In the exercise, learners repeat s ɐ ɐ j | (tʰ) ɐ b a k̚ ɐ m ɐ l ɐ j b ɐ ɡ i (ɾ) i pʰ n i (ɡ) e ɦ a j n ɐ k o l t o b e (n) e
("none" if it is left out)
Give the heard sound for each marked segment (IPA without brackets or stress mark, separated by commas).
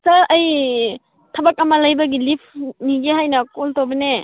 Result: tʰ, l, ɡ, n